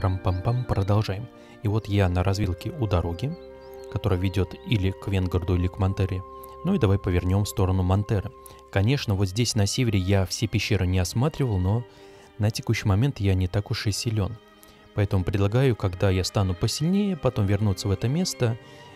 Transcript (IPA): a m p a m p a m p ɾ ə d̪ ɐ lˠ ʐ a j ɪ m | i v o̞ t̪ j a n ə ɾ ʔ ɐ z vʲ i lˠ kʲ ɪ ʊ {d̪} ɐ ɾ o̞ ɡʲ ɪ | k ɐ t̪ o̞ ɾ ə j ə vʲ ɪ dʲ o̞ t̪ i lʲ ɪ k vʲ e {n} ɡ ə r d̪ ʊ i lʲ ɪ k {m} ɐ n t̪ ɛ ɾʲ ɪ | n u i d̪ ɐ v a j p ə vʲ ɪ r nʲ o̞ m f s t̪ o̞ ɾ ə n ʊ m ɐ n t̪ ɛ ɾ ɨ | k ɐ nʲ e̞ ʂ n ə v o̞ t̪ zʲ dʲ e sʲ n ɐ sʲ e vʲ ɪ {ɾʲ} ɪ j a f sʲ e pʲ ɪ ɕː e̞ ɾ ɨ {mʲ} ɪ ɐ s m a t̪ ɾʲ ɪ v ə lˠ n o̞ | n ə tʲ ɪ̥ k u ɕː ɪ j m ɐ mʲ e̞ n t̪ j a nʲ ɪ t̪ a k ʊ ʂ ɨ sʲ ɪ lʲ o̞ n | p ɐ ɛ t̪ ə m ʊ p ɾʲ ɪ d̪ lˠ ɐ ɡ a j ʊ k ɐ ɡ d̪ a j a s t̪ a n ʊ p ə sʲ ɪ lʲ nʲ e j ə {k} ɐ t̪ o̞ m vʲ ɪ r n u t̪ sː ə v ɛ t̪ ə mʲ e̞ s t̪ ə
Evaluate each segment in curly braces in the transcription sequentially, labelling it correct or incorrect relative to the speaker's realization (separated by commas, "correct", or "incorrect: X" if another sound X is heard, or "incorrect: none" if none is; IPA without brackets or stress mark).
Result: correct, correct, correct, correct, incorrect: nʲ, incorrect: p